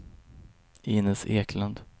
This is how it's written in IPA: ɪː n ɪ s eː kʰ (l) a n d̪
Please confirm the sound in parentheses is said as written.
yes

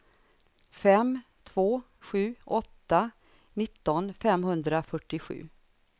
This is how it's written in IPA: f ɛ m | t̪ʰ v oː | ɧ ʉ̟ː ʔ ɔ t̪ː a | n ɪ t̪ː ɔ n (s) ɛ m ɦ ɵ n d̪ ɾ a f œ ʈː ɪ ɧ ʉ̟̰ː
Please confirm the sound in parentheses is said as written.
no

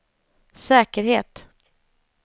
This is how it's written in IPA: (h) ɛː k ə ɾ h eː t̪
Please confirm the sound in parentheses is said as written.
no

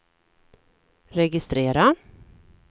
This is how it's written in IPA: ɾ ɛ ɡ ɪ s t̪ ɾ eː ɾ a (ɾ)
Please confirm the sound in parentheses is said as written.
no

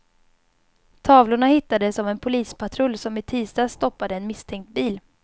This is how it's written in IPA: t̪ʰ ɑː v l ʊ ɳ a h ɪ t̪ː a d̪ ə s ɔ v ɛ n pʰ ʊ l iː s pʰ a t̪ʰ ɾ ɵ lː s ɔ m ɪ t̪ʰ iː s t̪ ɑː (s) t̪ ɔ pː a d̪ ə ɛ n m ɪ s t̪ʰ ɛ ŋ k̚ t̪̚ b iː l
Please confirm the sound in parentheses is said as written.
yes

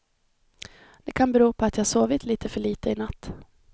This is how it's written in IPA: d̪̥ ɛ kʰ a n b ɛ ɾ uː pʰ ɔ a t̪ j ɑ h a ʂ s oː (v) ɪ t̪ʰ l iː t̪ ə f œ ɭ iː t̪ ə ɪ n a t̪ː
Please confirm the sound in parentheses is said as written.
yes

